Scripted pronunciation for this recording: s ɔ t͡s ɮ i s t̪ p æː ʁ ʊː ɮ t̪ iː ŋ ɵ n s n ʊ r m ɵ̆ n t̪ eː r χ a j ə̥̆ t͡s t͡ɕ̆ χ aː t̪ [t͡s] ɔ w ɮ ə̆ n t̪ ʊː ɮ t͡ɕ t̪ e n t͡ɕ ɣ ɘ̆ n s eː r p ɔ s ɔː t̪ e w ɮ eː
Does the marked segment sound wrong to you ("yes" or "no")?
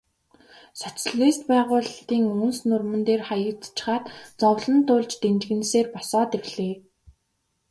no